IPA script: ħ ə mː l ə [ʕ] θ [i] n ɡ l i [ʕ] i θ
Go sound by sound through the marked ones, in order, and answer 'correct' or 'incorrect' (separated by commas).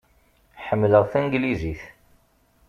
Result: incorrect, incorrect, incorrect